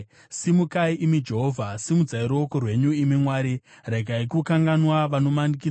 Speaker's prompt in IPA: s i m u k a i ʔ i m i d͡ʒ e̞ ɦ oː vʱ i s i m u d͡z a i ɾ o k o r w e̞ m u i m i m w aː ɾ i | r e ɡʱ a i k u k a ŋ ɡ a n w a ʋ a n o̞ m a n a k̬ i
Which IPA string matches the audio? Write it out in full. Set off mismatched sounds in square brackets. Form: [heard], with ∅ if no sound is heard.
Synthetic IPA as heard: s i m u k a i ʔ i m i d͡ʒ e̞ ɦ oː vʱ [a] s i m u d͡z a i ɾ o k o r w e̞ [ɲ] u i m i m w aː ɾ i | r e ɡʱ a i k u k a ŋ ɡ a n w a ʋ a n o̞ m a n [i] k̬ i